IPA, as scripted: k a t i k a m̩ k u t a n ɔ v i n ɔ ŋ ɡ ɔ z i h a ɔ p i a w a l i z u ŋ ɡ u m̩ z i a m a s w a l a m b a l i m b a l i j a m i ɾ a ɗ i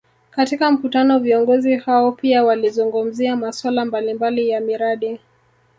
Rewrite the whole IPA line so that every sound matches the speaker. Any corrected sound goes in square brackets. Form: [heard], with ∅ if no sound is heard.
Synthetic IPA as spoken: k a t i k a m̩ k u t a n ɔ v i [∅] ɔ ŋ ɡ ɔ z i h a ɔ p i a w a l i z u ŋ ɡ u m̩ z i a m a s w a l a m b a l i m b a l i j a m i ɾ a ɗ i